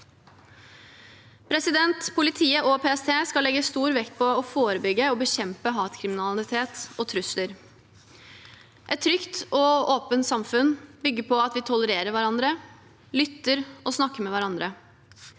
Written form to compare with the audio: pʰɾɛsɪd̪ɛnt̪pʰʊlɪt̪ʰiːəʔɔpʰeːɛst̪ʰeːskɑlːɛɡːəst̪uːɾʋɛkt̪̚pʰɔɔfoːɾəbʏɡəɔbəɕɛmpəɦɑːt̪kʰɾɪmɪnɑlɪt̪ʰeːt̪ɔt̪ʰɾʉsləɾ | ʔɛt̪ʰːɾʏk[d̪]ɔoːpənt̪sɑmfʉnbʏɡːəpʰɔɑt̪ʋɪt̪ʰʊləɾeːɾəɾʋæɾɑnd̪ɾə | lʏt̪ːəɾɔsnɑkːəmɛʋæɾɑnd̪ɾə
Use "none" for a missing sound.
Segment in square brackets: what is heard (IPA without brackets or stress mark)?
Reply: t̪